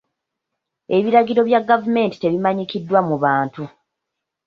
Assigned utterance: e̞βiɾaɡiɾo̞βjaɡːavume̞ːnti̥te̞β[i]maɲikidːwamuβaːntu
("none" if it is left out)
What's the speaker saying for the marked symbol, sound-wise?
i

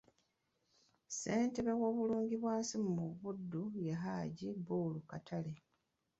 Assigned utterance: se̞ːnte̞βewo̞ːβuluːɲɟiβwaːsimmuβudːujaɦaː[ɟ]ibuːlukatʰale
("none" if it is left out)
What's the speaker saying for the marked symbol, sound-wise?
ɟ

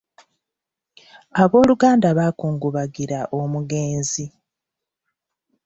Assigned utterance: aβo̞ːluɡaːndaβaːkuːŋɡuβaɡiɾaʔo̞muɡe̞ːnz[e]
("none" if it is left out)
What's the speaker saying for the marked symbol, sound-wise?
i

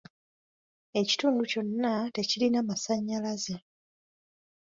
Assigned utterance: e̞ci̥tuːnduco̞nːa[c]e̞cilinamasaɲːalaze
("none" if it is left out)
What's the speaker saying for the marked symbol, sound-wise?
t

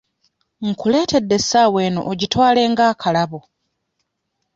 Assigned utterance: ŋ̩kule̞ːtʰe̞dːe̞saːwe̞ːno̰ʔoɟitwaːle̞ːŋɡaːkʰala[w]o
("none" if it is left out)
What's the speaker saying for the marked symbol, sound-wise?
β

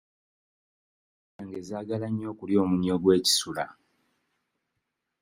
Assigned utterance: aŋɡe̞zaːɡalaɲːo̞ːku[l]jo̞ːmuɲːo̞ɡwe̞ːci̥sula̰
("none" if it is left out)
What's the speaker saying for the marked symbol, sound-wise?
l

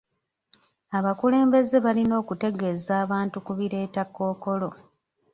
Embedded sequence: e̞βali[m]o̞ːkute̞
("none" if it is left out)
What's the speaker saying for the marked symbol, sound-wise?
n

